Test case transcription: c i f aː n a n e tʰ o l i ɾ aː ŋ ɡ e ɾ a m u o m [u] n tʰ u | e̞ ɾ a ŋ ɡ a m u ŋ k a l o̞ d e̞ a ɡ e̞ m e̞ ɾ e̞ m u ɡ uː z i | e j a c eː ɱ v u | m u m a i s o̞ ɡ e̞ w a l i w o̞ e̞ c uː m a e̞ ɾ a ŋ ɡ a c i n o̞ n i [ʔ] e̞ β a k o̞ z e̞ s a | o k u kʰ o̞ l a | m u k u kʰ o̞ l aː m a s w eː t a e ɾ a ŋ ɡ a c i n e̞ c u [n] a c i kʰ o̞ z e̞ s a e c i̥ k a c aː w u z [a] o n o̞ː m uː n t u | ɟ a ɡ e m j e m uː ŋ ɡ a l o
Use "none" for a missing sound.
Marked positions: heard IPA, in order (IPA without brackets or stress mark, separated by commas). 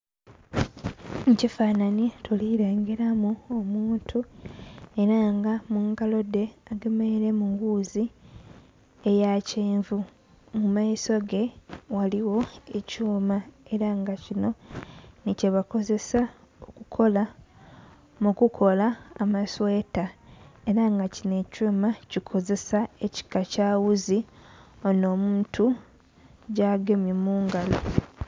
uː, c, m, i